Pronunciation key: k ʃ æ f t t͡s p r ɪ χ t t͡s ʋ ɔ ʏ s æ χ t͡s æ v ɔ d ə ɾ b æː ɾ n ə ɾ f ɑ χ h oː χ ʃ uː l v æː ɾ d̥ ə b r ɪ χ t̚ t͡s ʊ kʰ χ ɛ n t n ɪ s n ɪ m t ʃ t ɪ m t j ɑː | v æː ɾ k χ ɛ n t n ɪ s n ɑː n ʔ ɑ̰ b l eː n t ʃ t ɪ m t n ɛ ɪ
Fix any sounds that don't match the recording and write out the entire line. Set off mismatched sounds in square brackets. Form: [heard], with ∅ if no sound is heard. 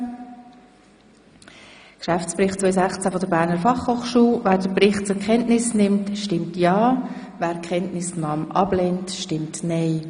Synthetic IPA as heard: k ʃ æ f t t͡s p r ɪ χ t t͡s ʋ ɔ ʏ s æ χ t͡s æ [f] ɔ d ə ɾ b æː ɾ n ə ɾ f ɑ χ h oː χ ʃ uː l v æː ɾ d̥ ə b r ɪ χ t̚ t͡s ʊ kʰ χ ɛ n t n ɪ s n ɪ m t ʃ t ɪ m t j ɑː | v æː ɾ k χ ɛ n t n ɪ s n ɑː [m] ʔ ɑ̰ b l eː n t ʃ t ɪ m t n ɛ ɪ

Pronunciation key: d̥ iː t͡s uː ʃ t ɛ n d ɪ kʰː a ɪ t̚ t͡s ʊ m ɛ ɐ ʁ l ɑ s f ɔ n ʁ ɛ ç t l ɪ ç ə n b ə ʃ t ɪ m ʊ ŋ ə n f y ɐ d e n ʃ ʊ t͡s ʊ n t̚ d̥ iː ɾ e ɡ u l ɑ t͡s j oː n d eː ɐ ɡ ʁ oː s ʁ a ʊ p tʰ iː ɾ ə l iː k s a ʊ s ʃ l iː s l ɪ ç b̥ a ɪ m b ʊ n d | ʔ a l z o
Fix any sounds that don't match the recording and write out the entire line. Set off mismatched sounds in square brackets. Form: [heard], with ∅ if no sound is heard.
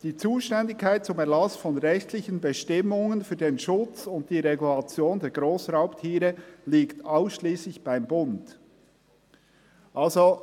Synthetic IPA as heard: d̥ iː t͡s uː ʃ t ɛ n d ɪ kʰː a ɪ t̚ t͡s ʊ m ɛ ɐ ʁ l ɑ s f ɔ n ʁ ɛ ç t l ɪ ç ə n b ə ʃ t ɪ m ʊ ŋ ə n f [yː] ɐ d e n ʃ ʊ t͡s ʊ n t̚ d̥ iː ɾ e ɡ u l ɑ t͡s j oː n d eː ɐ ɡ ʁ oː s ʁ a ʊ p tʰ iː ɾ ə l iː k [t] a ʊ s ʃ l iː s l ɪ ç b̥ a ɪ m b ʊ n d | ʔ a l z o

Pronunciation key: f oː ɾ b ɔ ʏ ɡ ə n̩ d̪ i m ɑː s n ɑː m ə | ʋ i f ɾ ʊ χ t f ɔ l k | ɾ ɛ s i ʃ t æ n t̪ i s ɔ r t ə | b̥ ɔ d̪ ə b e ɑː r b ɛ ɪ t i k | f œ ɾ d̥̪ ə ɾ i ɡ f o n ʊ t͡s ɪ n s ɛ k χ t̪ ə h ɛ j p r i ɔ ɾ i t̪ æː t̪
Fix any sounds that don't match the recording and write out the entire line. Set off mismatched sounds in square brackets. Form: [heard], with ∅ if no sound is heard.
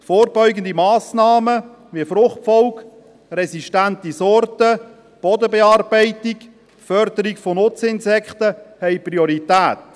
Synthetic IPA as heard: f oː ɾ b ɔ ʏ ɡ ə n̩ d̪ i m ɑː s n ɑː m ə | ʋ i f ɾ ʊ χ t f ɔ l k | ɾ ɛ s i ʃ t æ n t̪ i s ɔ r t ə | b̥ ɔ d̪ ə b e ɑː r b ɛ ɪ t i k | f œ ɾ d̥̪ ə ɾ i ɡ f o n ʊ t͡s ɪ n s ɛ k χ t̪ ə h ɛ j p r i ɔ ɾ i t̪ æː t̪

